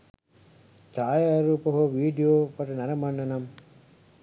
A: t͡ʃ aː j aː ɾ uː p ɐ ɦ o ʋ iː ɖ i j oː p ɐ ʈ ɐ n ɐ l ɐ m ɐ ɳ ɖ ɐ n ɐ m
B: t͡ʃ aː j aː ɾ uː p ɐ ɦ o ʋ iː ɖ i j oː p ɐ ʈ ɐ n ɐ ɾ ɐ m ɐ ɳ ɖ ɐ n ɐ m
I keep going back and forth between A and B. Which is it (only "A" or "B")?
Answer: B